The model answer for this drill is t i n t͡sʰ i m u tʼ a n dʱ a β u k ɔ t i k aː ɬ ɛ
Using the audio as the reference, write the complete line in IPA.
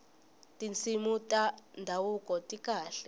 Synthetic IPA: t i n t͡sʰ i m u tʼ a n dʱ a w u k ɔ t i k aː ɬ ɛ